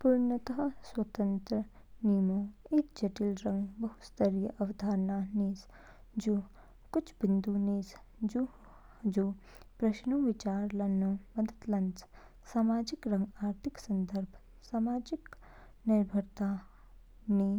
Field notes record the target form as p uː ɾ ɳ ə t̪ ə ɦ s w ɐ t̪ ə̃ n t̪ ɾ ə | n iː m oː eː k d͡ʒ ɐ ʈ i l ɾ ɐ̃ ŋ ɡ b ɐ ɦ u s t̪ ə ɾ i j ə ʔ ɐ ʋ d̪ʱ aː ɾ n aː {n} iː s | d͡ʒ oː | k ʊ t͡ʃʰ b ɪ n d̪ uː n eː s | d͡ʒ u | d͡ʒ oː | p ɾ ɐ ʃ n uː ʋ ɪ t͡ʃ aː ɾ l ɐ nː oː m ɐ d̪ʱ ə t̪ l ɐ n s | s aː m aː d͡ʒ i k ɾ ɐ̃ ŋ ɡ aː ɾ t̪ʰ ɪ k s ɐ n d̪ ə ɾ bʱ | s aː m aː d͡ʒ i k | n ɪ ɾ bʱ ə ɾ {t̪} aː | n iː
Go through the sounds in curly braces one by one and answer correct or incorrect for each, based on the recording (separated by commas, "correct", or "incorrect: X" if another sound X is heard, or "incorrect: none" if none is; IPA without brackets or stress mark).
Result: correct, correct